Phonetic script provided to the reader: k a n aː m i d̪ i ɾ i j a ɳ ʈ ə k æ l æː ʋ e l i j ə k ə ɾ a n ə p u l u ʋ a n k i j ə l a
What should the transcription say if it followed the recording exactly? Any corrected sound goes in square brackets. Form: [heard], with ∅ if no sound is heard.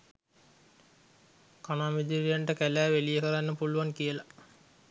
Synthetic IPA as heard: k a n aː m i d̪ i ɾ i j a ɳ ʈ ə k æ l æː ʋ e l i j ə k ə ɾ a [nː] ə p u l u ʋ a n k i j ə l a